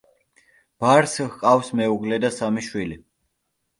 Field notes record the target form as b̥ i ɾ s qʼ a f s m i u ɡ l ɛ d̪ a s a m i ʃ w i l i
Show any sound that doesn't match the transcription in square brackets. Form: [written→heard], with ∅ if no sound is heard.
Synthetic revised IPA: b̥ [i→a] ɾ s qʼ a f s m [i→ɛ] u ɡ l ɛ d̪ a s a m i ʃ w i l i